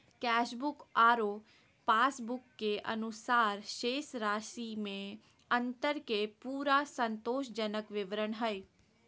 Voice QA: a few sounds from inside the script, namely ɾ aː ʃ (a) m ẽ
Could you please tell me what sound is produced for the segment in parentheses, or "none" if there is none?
i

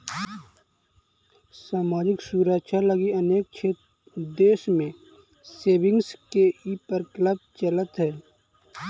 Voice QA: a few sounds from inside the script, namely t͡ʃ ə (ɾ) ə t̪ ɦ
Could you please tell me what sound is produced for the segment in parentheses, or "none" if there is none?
l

